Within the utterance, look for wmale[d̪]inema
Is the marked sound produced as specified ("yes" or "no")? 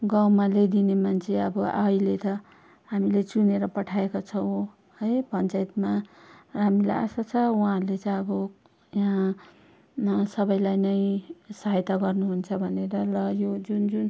yes